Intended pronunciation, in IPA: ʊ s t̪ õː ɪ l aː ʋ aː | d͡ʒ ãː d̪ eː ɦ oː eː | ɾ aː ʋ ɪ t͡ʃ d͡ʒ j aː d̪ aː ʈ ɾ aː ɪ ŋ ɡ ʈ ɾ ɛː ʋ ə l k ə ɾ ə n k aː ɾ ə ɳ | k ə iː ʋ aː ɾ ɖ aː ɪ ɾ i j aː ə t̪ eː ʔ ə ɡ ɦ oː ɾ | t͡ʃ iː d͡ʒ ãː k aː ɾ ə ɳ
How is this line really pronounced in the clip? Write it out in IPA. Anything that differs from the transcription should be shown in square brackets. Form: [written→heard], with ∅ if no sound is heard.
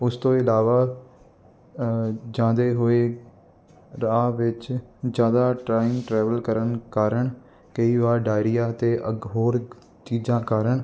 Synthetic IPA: ʊ s t̪ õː ɪ l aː ʋ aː | d͡ʒ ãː d̪ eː ɦ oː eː | ɾ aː ʋ ɪ t͡ʃ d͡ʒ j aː d̪ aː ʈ ɾ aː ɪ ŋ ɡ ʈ ɾ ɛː ʋ ə l k ə ɾ ə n k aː ɾ ə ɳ | k ə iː ʋ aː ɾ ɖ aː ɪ ɾ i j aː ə t̪ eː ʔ ə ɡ ɦ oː ɾ | t͡ʃ iː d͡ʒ ãː k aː ɾ ə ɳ